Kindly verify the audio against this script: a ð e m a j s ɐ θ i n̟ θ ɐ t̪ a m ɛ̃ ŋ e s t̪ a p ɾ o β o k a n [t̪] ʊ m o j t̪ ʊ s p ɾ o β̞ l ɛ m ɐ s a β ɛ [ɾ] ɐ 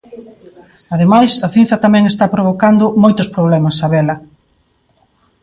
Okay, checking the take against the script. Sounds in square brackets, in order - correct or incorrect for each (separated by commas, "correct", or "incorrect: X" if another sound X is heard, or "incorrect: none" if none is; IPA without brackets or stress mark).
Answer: incorrect: d̪, incorrect: l